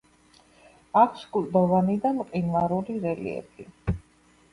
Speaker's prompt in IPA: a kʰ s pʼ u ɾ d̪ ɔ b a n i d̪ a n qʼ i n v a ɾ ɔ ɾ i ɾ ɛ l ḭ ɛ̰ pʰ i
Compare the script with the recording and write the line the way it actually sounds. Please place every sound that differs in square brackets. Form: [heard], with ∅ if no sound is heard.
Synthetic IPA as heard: a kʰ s [kʼ] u [l] d̪ ɔ [v] a n i d̪ a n qʼ i n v a ɾ [u] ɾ i ɾ ɛ l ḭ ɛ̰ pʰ i